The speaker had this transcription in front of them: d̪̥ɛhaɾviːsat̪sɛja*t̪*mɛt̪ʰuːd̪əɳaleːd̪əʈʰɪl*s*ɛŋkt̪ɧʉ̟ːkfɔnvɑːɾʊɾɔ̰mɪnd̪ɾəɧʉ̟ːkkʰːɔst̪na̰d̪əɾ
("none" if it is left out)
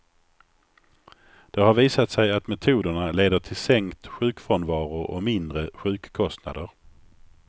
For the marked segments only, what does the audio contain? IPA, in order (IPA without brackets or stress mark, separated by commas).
t̪, s